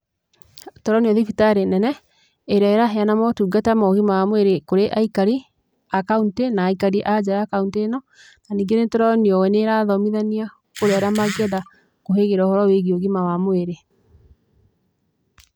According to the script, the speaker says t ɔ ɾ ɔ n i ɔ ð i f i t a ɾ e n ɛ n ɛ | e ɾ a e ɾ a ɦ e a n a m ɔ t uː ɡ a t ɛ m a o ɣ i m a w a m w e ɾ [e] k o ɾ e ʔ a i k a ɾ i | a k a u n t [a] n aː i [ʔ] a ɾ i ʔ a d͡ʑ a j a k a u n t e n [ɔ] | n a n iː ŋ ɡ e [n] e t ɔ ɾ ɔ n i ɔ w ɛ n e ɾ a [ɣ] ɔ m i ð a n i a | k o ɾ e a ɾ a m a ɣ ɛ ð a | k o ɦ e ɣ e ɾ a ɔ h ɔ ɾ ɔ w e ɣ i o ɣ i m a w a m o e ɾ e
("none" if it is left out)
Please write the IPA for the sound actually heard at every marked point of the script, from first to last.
e, e, k, ɔ, n, ð

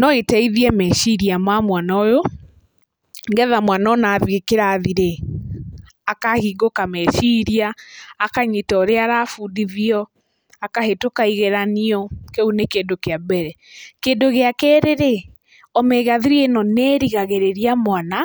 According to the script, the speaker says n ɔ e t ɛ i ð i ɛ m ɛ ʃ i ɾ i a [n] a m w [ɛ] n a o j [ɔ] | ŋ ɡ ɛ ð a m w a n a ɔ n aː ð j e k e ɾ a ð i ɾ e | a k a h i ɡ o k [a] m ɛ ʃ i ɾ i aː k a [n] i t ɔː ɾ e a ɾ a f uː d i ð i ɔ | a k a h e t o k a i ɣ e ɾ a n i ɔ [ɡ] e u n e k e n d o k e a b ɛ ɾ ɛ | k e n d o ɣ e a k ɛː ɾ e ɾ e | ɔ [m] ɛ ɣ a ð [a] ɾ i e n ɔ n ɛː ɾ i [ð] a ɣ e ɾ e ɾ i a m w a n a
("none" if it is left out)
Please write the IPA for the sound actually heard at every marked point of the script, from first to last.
m, a, o, a, ɲ, k, m, i, ɣ

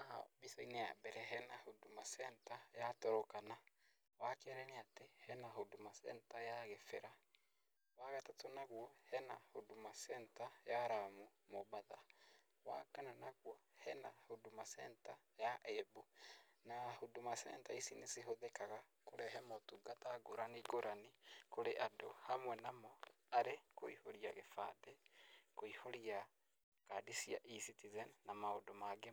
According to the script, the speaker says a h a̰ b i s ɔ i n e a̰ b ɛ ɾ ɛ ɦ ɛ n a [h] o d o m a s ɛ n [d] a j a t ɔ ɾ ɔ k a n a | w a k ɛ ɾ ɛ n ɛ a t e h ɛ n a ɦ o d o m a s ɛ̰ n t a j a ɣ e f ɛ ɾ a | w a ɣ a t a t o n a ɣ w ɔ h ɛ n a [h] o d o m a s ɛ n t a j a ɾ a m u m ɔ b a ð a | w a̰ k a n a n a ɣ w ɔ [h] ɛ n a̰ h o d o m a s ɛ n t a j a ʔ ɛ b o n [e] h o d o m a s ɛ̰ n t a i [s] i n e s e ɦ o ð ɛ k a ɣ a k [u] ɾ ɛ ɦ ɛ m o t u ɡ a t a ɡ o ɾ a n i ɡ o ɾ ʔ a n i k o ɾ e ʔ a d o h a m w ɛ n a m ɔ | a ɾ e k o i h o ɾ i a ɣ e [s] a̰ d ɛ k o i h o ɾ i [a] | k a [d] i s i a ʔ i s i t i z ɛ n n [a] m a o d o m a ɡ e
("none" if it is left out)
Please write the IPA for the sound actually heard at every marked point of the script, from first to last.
h, t, h, h, a, s, o, f, a, d, a

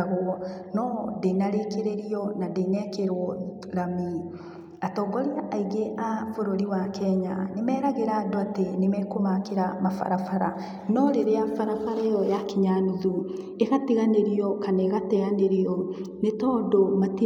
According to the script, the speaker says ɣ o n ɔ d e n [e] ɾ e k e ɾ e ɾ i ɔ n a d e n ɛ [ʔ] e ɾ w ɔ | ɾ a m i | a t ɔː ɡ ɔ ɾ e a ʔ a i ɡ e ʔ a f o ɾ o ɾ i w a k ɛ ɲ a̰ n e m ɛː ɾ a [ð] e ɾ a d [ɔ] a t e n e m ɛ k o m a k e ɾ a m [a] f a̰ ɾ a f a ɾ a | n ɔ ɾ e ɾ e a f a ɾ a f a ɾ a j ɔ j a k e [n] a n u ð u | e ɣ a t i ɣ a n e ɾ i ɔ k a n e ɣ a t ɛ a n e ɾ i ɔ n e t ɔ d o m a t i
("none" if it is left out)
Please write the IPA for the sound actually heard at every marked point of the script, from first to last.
a, k, ɣ, o, a, ɲ

